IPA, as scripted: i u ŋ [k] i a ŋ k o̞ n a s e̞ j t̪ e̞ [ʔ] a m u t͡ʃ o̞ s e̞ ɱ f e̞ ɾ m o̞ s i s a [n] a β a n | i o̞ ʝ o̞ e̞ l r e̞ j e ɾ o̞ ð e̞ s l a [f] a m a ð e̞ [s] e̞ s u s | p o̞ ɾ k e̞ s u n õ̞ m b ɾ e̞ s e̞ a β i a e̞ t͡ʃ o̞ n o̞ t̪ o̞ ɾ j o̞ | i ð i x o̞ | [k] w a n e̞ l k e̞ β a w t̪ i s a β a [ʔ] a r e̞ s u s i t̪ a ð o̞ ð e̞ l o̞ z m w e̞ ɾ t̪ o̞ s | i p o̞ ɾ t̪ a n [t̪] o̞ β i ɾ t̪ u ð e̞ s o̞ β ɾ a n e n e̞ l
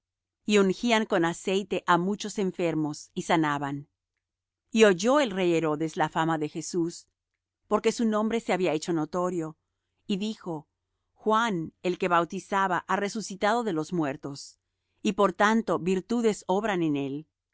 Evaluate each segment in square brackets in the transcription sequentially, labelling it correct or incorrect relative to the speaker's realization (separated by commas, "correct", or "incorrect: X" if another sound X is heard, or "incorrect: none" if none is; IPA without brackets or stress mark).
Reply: incorrect: x, correct, correct, correct, incorrect: x, incorrect: x, correct, correct